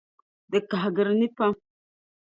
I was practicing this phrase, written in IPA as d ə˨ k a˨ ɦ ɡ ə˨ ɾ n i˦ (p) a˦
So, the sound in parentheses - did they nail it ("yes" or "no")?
yes